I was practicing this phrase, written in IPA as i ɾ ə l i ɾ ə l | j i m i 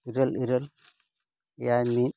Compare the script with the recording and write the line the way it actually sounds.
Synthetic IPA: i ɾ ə l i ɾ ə l | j a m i